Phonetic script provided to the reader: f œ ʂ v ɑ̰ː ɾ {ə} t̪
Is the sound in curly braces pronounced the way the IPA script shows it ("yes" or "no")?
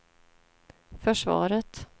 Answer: yes